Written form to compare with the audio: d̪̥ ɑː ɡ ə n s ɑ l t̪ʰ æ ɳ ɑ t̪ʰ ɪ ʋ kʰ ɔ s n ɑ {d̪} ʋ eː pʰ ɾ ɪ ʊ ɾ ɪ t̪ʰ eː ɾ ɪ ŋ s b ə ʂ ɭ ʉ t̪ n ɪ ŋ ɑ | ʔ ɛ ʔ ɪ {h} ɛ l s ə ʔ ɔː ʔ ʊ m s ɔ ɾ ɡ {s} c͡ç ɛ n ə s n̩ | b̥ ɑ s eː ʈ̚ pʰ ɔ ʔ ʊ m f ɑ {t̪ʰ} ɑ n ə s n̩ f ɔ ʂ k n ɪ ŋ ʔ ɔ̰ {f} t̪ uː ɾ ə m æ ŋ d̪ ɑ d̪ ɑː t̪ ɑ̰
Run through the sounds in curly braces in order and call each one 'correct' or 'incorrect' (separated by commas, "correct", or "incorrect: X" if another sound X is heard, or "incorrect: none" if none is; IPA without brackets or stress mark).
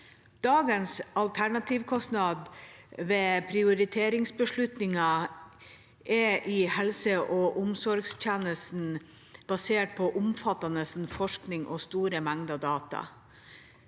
correct, correct, correct, incorrect: t̪, incorrect: s